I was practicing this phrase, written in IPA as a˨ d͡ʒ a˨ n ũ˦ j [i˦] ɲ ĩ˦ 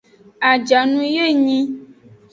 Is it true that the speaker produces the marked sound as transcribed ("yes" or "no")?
no